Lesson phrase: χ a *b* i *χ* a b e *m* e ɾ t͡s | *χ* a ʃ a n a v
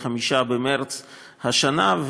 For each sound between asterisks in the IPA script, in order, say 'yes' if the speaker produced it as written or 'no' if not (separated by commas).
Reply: no, no, yes, no